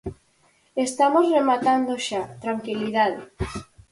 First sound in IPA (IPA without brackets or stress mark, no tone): e